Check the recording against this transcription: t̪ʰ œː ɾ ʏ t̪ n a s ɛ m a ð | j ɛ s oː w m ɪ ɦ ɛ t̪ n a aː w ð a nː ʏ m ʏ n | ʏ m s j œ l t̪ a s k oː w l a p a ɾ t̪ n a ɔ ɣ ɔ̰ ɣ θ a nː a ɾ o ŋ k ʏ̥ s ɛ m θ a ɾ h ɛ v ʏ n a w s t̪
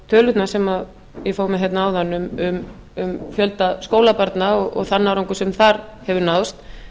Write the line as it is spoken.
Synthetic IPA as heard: t̪ʰ œː l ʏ t̪ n a s ɛ m a ð | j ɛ f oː w m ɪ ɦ ɛ t̪ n a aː w ð a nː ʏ m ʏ m | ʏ m f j œ l t̪ a s k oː w l a p a ɾ t̪ n a ɔ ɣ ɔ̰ ɣ θ a nː a ɾ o ŋ k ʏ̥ s ɛ m θ a ɾ h ɛ v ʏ n a w s t̪